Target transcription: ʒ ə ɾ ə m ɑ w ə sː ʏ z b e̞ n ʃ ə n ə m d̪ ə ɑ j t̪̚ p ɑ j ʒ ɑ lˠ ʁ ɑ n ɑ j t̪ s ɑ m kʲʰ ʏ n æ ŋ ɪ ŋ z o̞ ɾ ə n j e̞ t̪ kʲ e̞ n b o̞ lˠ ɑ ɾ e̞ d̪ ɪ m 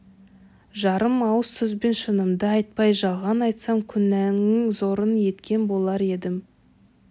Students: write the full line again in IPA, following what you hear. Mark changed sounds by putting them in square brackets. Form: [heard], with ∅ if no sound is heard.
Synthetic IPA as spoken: ʒ [ɑ] ɾ ə m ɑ w ə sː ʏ z b e̞ n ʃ ə n ə m d̪ ə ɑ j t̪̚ p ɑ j ʒ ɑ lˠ ʁ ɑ n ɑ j t̪ s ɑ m kʲʰ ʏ n æ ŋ ɪ ŋ z o̞ ɾ ə n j e̞ t̪ kʲ e̞ n b o̞ lˠ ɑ ɾ e̞ d̪ ɪ m